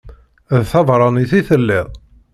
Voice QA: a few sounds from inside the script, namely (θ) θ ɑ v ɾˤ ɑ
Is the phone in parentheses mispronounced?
yes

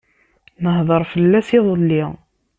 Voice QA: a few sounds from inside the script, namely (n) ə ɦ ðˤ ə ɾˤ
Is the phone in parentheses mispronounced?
no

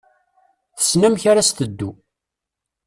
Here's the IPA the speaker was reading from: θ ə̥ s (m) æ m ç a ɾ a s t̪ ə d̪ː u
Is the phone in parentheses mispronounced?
yes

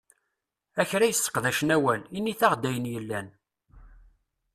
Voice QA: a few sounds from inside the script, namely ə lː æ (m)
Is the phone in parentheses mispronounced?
yes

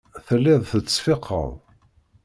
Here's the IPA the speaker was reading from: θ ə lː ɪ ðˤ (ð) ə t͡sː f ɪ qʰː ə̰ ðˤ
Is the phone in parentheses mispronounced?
yes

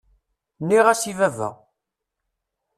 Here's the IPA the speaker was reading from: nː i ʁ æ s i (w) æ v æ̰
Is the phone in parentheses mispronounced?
yes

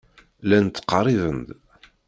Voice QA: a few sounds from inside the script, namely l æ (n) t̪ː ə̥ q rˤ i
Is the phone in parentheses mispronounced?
no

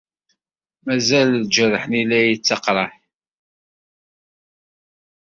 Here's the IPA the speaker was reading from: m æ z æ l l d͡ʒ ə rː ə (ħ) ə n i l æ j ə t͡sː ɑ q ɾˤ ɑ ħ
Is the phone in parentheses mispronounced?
no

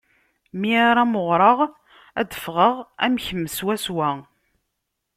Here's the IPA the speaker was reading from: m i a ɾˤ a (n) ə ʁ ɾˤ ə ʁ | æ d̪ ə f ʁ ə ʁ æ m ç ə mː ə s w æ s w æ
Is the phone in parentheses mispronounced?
yes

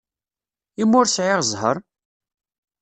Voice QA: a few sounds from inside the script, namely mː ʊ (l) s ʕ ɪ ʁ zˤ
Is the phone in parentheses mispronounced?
yes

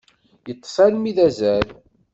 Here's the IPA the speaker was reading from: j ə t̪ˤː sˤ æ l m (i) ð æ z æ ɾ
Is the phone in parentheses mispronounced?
no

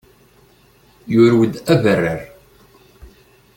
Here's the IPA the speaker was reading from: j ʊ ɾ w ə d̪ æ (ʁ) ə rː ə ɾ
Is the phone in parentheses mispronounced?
yes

